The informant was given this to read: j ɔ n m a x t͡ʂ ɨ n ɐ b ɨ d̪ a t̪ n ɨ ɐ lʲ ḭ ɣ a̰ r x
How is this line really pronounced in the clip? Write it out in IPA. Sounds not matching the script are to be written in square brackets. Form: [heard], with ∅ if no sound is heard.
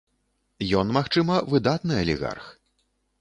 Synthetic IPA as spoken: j ɔ n m a x t͡ʂ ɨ [m] ɐ [v] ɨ d̪ a t̪ n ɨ ɐ lʲ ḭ ɣ a̰ r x